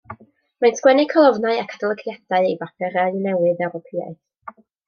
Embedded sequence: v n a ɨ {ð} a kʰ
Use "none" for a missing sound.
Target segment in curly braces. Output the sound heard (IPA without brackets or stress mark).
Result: none